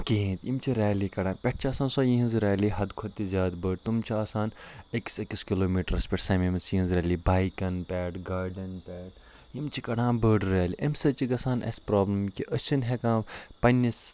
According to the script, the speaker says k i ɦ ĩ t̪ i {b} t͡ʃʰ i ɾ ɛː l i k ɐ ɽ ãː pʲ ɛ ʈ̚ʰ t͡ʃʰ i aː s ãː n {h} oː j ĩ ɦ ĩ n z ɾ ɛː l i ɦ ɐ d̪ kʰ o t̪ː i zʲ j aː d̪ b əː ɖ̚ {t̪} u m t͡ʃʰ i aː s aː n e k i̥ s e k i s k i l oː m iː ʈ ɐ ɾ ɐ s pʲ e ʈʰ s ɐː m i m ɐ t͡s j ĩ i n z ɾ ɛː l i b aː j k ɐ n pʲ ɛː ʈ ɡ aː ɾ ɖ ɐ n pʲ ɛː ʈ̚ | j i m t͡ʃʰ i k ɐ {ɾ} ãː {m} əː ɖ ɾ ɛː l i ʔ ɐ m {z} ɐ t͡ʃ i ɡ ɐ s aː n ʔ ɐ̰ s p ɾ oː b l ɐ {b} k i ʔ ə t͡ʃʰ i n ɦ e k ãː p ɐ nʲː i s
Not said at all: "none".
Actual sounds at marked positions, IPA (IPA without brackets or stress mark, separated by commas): m, s, t̪, ɽ, b, s, m